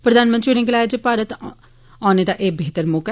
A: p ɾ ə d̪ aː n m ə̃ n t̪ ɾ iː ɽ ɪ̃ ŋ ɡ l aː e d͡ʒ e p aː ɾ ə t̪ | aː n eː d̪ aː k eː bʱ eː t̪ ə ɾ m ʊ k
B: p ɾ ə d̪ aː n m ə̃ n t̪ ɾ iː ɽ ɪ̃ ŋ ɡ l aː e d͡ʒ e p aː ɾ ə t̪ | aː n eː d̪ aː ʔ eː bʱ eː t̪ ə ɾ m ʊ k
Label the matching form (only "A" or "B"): B